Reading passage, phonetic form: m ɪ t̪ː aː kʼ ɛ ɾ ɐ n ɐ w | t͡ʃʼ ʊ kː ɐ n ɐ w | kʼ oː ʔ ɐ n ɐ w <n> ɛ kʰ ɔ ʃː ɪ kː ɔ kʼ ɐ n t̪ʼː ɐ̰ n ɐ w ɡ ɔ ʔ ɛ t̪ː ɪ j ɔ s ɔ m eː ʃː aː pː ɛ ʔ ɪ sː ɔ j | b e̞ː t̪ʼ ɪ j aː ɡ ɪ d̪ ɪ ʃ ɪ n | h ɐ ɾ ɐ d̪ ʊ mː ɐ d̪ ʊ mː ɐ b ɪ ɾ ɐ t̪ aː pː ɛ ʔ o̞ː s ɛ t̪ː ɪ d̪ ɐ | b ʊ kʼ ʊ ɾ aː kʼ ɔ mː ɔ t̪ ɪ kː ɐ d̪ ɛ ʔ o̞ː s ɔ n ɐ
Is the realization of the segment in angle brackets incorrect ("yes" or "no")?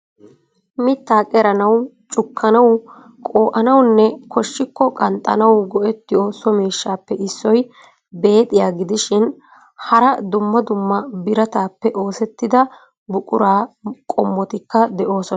yes